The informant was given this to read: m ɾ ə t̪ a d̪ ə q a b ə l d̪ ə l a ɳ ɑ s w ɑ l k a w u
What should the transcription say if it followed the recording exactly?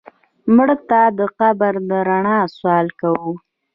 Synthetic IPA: m ɽ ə t̪ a d̪ ə q a b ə ɾ d̪ ə ɾ a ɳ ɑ s w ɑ l k a w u